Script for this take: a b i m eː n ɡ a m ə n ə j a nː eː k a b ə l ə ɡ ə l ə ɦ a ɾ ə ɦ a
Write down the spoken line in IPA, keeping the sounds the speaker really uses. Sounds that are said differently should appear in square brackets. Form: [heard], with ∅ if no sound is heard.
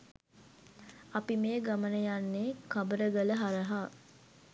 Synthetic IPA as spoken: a [p] i m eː [∅] ɡ a m ə n ə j a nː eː k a b ə [ɾ] ə ɡ ə l ə ɦ a ɾ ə ɦ a